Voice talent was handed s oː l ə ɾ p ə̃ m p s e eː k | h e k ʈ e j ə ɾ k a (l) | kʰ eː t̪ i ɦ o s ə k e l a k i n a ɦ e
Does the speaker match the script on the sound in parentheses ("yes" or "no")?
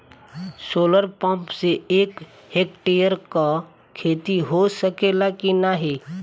no